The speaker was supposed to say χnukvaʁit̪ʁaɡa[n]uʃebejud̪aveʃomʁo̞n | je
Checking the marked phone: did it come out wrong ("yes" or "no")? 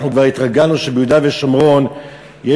no